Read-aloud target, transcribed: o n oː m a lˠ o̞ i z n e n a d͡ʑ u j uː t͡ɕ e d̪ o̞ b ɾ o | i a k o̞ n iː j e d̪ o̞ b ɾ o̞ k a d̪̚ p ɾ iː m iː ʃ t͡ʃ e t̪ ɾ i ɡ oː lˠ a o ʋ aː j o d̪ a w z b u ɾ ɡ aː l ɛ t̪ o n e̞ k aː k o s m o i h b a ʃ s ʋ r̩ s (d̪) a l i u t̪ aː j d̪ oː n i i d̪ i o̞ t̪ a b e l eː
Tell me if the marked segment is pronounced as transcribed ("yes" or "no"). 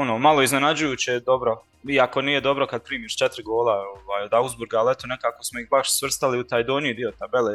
no